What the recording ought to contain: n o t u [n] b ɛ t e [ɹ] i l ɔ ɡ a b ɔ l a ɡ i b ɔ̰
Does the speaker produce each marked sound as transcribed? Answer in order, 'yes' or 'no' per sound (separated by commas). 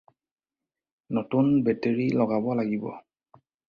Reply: yes, yes